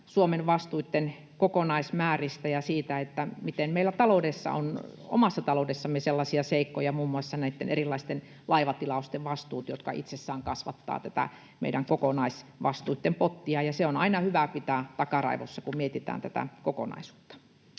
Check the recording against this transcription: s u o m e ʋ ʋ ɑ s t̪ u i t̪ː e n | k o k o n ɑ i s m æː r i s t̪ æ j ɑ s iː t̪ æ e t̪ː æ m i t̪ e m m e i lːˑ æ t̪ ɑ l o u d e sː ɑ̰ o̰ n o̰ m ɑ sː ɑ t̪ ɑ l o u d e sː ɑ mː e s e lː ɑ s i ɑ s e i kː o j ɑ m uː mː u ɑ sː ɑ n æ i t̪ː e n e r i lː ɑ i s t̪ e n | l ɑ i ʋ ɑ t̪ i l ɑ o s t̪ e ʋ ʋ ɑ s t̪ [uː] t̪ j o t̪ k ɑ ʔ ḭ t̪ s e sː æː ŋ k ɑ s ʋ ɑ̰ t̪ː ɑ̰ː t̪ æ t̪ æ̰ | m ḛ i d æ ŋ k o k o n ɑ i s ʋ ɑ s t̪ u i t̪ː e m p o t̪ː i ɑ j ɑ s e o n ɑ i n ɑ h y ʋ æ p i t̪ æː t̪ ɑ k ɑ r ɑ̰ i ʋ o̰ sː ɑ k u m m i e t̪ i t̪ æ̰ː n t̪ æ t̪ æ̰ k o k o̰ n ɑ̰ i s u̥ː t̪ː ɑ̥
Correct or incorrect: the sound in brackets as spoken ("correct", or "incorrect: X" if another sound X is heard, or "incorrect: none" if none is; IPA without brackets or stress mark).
correct